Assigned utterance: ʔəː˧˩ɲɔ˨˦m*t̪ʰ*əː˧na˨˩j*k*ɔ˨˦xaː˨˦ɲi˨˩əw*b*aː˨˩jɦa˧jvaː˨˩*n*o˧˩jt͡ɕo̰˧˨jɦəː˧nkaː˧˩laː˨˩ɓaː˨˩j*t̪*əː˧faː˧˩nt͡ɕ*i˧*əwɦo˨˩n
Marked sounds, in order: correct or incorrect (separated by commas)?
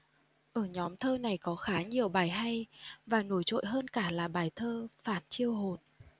correct, correct, incorrect, correct, incorrect, correct